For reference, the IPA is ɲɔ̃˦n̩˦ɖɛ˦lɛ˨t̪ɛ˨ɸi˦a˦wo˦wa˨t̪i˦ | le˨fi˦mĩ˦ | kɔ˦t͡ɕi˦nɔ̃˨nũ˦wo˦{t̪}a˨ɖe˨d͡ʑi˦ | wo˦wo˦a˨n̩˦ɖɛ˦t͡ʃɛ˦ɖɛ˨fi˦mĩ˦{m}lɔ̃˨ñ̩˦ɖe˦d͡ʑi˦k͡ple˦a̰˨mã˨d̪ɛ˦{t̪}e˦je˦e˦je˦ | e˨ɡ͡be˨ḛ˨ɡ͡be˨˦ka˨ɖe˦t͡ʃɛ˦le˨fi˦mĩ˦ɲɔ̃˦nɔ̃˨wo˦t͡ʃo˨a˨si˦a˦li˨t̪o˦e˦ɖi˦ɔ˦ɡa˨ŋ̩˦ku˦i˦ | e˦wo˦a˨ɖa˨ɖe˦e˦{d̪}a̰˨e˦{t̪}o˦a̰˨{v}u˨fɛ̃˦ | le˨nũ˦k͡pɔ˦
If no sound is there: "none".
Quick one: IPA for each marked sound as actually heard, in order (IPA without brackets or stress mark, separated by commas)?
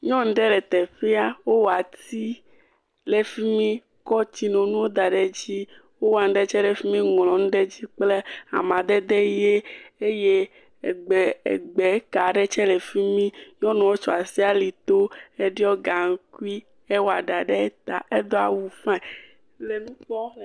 d̪, ŋ, d̪, t̪, d̪, w